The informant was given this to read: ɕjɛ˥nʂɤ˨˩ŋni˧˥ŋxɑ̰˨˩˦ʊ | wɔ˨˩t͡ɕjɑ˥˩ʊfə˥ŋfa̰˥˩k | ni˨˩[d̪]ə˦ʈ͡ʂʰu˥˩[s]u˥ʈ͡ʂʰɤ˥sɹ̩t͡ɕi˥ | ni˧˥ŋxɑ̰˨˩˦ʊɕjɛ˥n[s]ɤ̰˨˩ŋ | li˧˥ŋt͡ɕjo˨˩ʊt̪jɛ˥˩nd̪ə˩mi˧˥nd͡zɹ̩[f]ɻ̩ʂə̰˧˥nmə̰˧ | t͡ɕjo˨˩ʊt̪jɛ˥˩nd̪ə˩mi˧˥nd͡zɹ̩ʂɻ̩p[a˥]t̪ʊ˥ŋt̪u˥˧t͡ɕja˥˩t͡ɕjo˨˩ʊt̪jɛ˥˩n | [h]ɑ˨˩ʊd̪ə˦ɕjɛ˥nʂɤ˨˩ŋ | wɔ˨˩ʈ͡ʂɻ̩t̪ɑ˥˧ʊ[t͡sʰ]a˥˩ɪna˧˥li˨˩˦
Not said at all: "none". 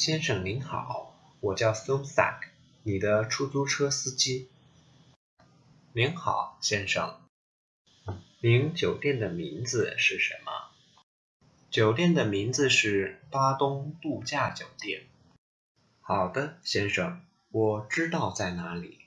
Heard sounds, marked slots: d̪, t͡s, ʂ, ʂ, a˥, x, t͡s

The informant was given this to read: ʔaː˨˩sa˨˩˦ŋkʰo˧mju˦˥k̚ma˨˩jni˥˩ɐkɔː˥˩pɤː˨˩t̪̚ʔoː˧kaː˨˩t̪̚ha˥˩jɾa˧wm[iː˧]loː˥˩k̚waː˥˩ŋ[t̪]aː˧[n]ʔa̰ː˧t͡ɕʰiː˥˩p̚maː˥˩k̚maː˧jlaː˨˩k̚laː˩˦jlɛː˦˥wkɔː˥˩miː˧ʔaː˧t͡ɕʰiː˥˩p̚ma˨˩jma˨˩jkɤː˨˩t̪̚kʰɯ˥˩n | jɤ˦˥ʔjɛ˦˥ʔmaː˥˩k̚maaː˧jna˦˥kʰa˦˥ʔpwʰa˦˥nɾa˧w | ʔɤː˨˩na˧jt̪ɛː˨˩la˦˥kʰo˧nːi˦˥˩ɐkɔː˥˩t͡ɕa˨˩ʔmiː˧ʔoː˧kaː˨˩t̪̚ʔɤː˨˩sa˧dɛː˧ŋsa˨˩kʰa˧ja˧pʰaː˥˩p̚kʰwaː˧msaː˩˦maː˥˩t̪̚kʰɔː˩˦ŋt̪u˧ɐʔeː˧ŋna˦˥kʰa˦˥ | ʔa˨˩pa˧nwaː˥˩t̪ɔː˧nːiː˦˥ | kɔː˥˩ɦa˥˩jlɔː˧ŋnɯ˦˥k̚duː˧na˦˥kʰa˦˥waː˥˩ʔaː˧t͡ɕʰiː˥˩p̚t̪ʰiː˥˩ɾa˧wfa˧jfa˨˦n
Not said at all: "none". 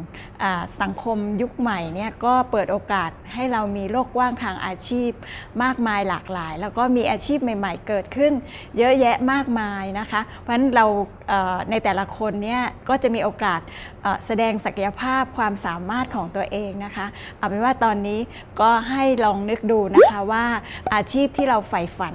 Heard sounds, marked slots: iː˧, t̪ʰ, ŋ

